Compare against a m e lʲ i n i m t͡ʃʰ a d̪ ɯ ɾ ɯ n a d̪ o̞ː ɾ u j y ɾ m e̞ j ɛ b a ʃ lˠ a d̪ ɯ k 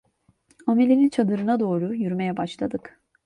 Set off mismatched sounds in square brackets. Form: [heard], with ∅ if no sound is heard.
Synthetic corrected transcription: a m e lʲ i n i [n] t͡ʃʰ a d̪ ɯ ɾ ɯ n a d̪ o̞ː ɾ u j y ɾ m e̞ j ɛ b a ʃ lˠ a d̪ ɯ k